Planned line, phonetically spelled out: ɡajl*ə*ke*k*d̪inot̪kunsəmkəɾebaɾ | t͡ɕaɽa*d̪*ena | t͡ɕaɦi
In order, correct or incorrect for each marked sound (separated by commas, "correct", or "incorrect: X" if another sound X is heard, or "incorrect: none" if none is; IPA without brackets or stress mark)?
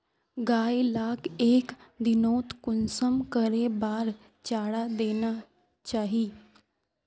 incorrect: a, correct, correct